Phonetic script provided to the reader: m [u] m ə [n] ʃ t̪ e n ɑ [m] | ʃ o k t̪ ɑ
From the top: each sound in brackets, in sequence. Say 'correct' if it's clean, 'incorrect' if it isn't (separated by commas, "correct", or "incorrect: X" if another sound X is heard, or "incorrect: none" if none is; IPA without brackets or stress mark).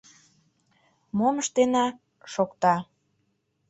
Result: incorrect: o, incorrect: none, incorrect: none